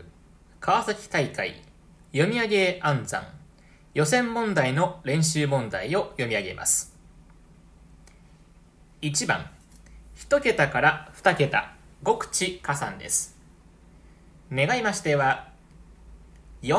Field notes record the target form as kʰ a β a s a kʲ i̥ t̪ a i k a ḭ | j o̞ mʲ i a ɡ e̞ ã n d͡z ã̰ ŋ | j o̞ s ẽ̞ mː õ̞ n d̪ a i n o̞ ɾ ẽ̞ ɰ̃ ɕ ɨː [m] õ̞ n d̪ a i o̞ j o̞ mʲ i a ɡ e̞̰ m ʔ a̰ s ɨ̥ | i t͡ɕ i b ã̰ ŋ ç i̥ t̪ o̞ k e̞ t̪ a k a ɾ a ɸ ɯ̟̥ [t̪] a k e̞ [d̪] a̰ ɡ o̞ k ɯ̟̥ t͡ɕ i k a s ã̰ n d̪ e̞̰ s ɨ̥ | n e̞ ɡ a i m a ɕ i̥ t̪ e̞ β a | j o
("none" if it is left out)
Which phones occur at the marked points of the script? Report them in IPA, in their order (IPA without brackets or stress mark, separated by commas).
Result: m, t̪, t̪